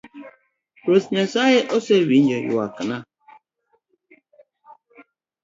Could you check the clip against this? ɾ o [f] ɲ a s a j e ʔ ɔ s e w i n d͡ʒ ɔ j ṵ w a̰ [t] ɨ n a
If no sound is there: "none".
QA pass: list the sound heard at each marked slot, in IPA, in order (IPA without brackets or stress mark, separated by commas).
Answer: s, k